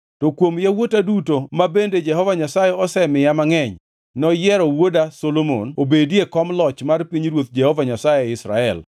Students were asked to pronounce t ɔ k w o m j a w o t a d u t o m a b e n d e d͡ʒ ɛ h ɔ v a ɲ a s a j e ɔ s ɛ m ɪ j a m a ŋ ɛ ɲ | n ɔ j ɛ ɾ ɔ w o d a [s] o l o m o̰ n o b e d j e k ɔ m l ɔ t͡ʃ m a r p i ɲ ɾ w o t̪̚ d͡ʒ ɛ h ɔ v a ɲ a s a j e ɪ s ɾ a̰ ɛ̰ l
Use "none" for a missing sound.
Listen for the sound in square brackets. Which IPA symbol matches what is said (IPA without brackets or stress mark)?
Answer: s